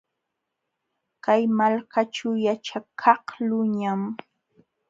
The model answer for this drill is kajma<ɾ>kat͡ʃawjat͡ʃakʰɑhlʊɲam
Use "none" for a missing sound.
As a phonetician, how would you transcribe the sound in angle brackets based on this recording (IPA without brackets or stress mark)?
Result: l